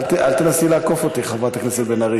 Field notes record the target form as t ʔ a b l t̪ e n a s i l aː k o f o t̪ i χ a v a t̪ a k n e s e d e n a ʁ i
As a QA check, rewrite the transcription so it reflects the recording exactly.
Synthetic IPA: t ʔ a l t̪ e n a s i l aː k o f o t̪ i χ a v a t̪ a k n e s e b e n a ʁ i